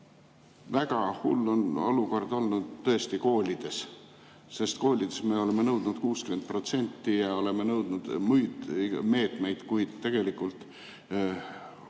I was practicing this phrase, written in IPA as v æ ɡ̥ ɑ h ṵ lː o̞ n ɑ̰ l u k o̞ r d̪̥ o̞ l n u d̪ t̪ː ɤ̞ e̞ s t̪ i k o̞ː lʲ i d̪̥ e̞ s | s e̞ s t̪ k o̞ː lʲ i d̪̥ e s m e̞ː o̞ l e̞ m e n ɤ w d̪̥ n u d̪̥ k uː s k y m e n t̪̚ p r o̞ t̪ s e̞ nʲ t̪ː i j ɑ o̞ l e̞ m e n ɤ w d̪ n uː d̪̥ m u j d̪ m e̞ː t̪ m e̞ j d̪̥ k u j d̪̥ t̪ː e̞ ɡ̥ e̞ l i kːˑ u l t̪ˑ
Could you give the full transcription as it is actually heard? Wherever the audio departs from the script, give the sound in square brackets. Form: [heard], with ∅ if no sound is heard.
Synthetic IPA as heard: v æ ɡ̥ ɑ h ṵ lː o̞ n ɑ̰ l u k o̞ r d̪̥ o̞ l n u d̪ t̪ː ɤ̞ e̞ s t̪ i k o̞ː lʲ i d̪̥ e̞ s | s e̞ s t̪ k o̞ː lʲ i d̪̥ e s m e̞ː o̞ l e̞ m e n ɤ w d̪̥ n u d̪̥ k uː s k y m e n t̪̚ p r o̞ t̪ s e̞ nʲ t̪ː i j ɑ o̞ l e̞ m e n ɤ w d̪ n [u] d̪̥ m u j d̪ m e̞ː t̪ m e̞ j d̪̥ k u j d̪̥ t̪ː e̞ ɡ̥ e̞ l i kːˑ u l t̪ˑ